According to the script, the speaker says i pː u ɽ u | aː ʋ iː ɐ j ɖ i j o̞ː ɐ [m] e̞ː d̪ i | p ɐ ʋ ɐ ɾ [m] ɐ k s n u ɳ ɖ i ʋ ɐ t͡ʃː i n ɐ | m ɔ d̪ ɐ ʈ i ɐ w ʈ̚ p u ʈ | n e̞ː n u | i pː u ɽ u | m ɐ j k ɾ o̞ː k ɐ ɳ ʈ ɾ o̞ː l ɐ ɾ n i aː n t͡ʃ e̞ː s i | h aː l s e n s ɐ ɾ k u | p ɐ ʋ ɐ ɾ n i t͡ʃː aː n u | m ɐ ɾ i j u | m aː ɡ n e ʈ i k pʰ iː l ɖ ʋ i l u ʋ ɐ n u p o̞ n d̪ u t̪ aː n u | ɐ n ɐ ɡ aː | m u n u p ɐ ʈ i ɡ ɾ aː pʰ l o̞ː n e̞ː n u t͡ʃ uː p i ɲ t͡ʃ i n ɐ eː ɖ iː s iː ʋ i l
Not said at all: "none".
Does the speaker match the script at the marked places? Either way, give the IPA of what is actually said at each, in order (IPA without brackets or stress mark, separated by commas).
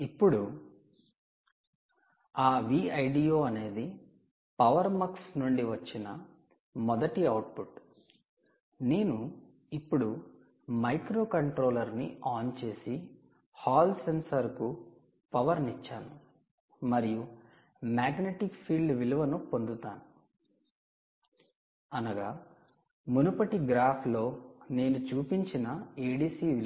n, m